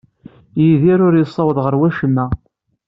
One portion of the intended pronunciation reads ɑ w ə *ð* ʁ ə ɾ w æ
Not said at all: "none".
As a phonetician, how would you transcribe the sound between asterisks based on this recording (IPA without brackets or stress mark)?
ð